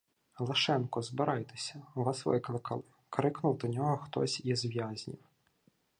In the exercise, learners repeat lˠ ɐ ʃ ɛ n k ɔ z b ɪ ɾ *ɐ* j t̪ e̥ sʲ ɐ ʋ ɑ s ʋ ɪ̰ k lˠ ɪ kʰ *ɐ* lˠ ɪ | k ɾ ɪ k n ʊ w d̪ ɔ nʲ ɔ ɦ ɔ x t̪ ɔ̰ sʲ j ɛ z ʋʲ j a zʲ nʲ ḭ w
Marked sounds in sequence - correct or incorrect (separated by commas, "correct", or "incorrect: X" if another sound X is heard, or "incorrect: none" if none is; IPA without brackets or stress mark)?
incorrect: ɑ, correct